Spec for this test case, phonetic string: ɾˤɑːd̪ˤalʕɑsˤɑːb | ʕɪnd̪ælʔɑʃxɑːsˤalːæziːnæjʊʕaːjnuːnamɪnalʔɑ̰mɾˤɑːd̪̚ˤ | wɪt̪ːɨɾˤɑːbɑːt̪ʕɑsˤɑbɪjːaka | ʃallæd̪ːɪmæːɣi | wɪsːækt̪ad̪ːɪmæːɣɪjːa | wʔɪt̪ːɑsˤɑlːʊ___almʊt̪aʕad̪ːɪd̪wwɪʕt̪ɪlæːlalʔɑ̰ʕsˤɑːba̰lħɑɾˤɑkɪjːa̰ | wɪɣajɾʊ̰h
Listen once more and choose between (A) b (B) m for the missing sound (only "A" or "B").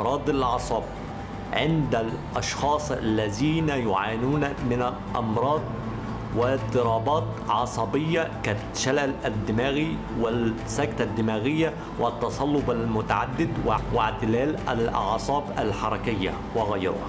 A